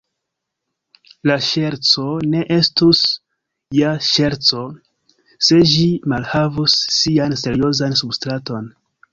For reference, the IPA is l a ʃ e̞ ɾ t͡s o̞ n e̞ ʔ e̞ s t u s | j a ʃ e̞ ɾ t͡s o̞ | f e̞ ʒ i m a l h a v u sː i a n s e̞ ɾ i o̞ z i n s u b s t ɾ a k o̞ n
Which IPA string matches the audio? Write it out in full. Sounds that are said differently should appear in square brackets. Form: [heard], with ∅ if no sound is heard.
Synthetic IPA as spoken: l a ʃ e̞ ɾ t͡s o̞ n e̞ ʔ e̞ s t u s | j a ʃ e̞ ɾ t͡s o̞ | [s] e̞ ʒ i m a l h a v u sː i a n s e̞ ɾ i o̞ z [a] n s u b s t ɾ a [t] o̞ n